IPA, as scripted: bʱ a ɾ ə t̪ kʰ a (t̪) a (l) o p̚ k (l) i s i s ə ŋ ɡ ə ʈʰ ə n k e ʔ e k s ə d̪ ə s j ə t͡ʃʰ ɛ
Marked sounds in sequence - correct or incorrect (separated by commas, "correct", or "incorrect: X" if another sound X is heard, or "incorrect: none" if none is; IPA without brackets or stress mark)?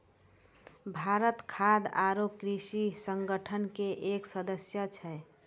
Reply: incorrect: d̪, incorrect: ɾ, incorrect: ɾ